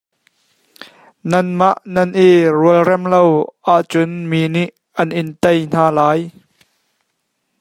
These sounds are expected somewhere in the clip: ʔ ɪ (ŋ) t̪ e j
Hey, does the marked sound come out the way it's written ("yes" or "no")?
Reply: no